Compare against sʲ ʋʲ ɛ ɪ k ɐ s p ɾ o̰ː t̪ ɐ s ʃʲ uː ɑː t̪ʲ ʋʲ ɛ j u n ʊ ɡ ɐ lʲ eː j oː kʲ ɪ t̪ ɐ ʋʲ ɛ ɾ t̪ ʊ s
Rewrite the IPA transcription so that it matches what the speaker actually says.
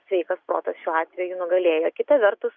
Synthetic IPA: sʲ ʋʲ ɛ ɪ k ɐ s p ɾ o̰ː t̪ ɐ s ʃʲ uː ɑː t̪ʲ ʋʲ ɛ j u n ʊ ɡ ɐ lʲ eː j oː kʲ ɪ t̪ ɐ ʋʲ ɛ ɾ t̪ ʊ s